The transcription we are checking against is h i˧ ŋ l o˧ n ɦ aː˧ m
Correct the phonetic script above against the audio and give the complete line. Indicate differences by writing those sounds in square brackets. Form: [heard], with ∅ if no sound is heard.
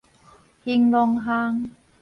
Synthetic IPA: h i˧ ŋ l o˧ [ŋ] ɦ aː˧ [ŋ]